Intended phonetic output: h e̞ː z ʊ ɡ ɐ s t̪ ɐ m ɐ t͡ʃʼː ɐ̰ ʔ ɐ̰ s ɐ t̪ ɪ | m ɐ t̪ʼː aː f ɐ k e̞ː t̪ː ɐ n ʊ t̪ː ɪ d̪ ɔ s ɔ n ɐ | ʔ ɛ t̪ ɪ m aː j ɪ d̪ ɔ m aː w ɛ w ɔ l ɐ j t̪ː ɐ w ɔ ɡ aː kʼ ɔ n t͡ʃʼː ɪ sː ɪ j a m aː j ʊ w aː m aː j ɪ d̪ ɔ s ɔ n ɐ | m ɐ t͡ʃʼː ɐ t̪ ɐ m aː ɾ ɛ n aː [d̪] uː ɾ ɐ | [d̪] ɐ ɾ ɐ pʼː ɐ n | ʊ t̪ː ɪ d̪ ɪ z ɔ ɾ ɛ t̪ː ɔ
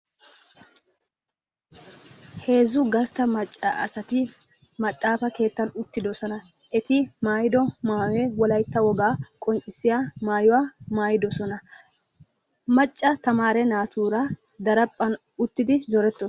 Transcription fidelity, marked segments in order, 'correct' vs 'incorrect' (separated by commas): incorrect, correct